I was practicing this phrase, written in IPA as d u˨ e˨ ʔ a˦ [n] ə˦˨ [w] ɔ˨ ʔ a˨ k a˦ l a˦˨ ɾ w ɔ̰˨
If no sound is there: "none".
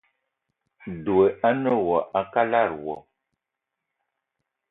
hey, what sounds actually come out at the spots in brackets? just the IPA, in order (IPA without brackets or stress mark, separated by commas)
n, w